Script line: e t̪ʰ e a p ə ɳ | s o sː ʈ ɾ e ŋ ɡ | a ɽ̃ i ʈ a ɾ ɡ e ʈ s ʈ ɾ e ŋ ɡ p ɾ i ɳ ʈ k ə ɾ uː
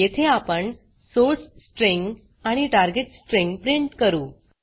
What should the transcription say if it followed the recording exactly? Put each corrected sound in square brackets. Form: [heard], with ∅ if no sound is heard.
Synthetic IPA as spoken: e t̪ʰ e a p ə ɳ | s o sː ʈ ɾ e ŋ ɡ | a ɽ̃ i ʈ a ɾ ɡ e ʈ s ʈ ɾ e ŋ ɡ p ɾ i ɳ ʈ k ə ɾ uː